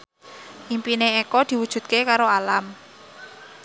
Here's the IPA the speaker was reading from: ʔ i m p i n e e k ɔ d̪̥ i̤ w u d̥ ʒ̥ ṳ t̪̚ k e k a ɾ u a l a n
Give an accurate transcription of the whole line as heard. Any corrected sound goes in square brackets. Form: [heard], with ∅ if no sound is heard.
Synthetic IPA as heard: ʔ i m p i n e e k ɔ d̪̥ i̤ w u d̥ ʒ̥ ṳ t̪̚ k e k a ɾ [o] a l a [m]